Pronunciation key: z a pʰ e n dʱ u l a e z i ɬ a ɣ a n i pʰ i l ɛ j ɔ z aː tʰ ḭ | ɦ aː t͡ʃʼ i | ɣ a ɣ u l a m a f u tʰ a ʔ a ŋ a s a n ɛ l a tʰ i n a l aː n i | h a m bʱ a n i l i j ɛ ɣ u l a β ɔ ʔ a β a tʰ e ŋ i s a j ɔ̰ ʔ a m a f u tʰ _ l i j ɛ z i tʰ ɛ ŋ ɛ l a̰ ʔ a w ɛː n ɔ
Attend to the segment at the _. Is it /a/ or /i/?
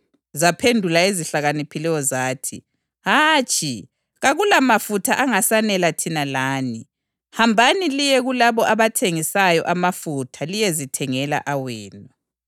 a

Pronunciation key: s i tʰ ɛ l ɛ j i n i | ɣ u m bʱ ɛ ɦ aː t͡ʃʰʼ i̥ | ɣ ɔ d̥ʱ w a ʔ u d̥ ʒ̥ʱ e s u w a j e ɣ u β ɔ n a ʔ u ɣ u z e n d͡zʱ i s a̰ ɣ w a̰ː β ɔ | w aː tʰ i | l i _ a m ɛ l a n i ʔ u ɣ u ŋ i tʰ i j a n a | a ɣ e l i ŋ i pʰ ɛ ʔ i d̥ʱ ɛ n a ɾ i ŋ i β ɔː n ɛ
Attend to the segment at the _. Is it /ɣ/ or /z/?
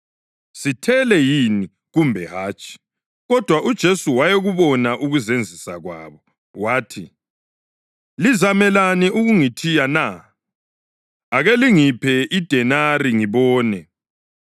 z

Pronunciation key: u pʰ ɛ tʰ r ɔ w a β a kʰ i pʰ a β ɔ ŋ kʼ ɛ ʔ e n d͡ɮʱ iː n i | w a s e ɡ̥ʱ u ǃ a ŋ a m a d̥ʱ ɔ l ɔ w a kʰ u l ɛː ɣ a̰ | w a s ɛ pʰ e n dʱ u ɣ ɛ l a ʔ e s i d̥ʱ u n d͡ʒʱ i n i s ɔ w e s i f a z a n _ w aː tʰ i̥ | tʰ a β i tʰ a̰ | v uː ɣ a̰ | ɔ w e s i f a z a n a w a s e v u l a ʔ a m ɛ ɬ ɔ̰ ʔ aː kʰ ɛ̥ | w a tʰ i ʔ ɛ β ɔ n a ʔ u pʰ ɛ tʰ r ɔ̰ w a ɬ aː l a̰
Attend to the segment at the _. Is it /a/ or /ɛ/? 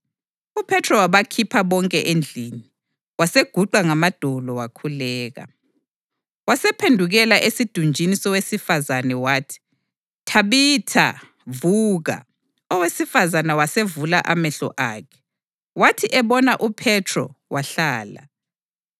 ɛ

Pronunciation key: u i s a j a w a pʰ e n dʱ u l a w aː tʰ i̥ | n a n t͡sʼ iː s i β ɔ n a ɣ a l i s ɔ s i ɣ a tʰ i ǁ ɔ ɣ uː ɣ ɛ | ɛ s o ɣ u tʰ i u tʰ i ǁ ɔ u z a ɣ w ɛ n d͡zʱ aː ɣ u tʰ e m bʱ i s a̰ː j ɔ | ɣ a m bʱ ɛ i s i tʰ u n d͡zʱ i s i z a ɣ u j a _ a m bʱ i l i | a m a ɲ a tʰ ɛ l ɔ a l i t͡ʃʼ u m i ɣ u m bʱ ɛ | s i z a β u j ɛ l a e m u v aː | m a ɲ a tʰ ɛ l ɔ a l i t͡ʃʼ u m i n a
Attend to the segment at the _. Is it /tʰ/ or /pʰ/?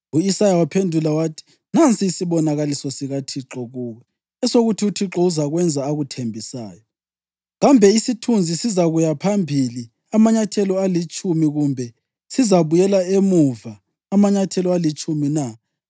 pʰ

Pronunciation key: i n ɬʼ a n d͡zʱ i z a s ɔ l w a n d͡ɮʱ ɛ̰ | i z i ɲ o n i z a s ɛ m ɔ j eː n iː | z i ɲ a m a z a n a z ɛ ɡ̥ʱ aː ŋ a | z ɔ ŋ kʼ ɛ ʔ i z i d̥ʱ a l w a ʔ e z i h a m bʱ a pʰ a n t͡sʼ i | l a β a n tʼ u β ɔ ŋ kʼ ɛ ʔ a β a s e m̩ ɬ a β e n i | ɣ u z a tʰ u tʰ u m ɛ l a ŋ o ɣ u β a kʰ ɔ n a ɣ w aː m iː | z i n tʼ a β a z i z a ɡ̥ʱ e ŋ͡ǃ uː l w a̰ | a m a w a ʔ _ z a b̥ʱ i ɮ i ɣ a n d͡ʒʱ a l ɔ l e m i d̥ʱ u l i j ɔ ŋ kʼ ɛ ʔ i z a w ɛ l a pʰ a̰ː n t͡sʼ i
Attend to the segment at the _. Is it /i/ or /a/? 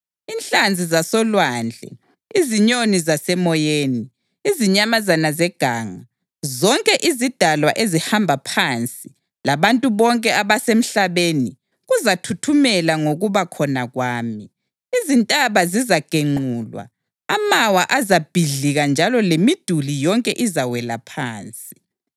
a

